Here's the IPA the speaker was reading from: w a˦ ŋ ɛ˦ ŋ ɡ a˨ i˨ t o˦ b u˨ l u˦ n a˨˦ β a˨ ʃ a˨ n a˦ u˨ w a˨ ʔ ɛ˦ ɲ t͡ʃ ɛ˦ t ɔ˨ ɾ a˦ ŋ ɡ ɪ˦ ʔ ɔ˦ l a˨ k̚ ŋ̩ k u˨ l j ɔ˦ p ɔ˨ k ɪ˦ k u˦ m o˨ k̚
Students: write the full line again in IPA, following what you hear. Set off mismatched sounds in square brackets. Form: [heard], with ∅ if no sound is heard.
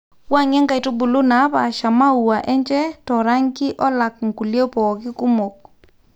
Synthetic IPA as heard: w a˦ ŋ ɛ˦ ŋ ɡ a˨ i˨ t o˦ b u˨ l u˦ n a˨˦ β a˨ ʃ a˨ [m] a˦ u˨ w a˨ ʔ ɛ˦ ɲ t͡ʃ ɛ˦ t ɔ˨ ɾ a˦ ŋ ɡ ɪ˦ ʔ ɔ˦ l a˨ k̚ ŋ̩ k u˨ l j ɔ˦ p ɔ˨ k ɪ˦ k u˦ m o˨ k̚